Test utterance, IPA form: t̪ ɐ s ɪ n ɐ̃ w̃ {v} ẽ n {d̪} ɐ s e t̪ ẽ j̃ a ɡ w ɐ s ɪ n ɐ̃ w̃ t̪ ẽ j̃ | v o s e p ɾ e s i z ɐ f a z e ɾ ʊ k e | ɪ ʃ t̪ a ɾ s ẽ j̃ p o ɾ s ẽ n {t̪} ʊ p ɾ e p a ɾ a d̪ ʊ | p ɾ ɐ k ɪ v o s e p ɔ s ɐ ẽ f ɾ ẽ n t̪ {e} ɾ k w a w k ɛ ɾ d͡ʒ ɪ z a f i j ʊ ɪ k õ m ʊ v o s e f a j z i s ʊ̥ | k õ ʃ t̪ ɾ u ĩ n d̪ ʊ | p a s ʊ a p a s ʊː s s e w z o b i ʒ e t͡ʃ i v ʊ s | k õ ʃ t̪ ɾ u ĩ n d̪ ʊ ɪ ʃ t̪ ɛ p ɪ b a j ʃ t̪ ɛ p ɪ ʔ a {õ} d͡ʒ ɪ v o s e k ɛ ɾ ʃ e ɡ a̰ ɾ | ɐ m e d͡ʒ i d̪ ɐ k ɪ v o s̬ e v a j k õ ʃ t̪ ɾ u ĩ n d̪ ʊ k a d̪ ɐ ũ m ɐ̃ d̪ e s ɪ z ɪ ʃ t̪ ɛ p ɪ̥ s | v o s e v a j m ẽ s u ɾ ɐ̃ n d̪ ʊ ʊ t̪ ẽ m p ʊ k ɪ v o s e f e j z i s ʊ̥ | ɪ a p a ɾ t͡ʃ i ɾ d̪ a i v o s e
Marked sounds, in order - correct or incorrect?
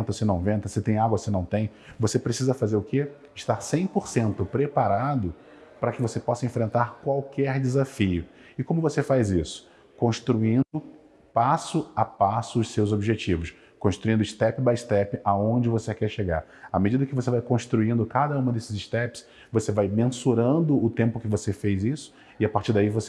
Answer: correct, incorrect: t̪, correct, incorrect: a, correct

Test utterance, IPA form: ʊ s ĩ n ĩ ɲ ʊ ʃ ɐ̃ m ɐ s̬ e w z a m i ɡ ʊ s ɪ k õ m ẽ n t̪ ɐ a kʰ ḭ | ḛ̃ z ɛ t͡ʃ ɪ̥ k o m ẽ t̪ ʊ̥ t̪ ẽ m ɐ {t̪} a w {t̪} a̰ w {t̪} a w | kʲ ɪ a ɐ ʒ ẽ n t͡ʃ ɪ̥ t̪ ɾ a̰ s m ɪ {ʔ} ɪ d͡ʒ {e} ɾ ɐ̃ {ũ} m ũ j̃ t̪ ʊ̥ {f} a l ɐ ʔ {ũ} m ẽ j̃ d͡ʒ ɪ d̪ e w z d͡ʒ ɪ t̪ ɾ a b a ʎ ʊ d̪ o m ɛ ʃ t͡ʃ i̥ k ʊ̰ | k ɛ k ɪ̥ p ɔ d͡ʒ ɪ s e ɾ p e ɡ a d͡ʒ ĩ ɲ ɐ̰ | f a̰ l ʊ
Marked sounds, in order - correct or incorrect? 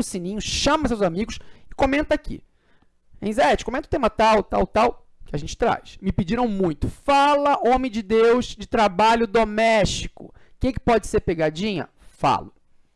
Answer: correct, correct, correct, incorrect: p, incorrect: i, incorrect: w̃, correct, incorrect: õ

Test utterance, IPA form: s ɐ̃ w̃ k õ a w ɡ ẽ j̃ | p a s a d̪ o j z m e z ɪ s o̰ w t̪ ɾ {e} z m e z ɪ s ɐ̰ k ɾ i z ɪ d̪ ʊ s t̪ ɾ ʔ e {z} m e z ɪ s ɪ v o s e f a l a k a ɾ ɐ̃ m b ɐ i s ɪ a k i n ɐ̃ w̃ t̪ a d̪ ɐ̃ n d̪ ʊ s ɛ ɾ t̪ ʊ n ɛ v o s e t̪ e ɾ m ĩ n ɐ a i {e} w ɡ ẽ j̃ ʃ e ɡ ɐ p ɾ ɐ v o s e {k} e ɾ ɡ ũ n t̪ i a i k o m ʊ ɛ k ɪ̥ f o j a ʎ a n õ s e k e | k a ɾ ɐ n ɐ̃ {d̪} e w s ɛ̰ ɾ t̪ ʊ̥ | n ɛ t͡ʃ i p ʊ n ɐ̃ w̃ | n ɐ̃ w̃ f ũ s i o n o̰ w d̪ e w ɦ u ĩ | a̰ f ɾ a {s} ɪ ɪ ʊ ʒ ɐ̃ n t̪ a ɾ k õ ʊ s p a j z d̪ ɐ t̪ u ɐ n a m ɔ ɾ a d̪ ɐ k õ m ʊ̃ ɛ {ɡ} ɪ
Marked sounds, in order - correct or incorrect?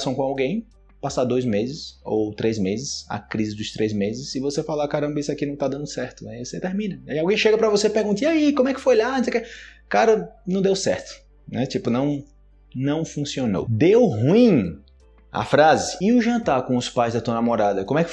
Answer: correct, correct, incorrect: a, incorrect: p, correct, incorrect: z, incorrect: k

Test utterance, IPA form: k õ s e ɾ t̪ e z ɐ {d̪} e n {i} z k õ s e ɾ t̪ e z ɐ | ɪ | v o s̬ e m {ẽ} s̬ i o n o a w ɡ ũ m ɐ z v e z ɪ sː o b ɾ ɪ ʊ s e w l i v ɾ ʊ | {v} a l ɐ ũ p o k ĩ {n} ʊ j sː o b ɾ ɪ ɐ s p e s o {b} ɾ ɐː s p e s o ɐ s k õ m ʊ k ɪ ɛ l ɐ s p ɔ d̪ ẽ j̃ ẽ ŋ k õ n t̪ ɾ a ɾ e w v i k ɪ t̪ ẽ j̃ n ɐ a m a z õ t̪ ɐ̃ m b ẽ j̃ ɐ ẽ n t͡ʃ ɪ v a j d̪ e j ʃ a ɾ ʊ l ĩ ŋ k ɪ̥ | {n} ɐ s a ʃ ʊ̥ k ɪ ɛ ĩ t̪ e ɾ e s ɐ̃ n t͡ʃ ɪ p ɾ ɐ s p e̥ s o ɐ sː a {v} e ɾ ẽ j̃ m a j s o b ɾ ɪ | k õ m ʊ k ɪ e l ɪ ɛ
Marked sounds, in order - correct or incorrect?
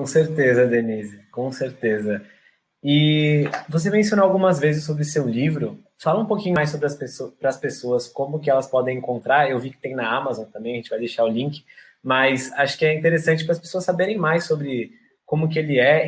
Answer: correct, correct, correct, incorrect: f, incorrect: ɲ, incorrect: p, incorrect: m, incorrect: b

